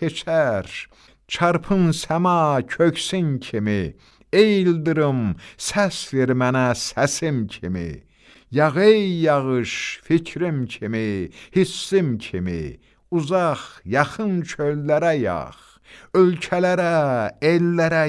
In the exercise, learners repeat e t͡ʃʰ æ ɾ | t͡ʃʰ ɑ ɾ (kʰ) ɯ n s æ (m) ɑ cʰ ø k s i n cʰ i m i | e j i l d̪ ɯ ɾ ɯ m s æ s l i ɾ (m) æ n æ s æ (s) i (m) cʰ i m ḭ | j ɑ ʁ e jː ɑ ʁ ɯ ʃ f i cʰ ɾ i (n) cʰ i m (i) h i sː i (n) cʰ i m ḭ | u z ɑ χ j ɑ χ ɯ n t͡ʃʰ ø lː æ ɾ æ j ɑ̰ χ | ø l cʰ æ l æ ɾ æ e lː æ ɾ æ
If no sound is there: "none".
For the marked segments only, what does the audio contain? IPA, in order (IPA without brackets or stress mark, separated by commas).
pʰ, m, m, s, m, m, i, m